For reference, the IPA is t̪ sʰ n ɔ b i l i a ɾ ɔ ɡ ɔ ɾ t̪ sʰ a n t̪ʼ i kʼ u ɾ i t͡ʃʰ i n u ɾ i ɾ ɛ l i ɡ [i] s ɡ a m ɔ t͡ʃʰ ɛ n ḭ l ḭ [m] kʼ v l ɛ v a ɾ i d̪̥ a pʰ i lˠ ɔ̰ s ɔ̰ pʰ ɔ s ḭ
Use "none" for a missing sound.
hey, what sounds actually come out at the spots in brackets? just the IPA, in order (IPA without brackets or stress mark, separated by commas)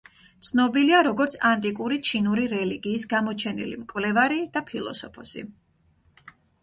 iː, m